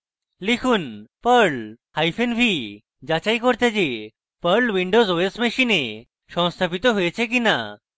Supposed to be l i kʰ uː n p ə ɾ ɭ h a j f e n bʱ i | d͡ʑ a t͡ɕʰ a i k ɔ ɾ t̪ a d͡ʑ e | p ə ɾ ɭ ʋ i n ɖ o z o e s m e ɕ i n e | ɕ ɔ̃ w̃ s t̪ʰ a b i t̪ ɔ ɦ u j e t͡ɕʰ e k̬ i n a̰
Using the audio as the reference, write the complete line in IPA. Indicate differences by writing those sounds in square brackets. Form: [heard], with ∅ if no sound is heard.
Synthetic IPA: l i kʰ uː n p ə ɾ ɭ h a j f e n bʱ i | d͡ʑ a [t͡ɕ] a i k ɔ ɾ t̪ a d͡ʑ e | p ə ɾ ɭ ʋ i [ɳ] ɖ o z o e s m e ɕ i n e | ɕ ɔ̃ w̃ s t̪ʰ a [p] i t̪ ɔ ɦ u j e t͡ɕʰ e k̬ i n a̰